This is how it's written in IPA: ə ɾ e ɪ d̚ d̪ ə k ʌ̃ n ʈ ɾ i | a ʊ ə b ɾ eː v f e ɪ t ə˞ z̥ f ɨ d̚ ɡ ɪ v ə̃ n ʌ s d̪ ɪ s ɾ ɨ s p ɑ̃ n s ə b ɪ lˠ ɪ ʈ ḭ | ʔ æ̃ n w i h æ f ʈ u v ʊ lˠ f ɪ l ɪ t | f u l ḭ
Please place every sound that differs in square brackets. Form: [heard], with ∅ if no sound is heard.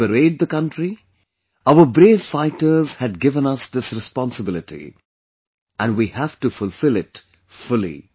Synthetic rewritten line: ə ɾ e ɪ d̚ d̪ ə k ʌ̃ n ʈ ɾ i | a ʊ ə b ɾ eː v f [a] ɪ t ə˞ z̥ [h] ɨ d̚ ɡ ɪ v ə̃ n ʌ s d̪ ɪ s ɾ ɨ s p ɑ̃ n s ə b ɪ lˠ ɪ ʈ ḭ | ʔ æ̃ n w i h æ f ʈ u [f] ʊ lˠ f ɪ l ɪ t | f [ʊ] l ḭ